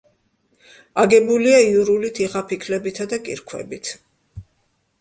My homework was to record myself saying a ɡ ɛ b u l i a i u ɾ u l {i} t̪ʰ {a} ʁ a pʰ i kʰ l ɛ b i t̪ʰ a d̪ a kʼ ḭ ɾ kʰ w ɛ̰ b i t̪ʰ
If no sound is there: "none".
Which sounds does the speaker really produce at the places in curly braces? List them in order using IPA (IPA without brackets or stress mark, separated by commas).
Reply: i, i